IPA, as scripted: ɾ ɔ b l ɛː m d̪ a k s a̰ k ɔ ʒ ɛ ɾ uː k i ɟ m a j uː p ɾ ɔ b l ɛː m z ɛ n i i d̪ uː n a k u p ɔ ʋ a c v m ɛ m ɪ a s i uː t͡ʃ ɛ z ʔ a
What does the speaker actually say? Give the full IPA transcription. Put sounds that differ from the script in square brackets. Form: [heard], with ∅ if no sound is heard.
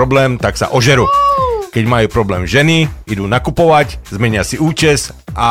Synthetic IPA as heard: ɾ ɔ b l ɛː m [t̪] a k s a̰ [ʔ] ɔ ʒ ɛ ɾ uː k [ɛ] ɟ m a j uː p ɾ ɔ b l ɛː m [ʒ] ɛ n i i d̪ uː n a k u p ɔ ʋ a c [z] m ɛ [ɲ] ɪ a s i uː t͡ʃ ɛ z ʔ a